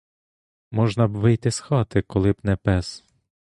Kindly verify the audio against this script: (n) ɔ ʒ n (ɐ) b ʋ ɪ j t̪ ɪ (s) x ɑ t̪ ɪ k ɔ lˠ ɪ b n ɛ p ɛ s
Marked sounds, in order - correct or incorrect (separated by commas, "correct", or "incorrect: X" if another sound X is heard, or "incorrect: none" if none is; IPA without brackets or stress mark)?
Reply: incorrect: m, correct, correct